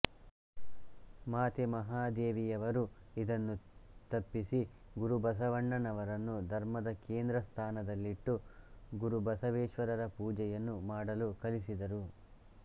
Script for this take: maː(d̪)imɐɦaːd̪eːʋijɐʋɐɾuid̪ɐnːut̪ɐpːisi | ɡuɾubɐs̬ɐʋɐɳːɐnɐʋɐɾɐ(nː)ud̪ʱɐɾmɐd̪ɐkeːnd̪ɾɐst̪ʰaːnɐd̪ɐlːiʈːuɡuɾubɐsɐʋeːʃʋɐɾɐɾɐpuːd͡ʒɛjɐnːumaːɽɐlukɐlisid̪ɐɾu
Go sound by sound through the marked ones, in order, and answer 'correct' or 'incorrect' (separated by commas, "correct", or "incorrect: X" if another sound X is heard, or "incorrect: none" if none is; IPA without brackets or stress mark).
incorrect: t̪, correct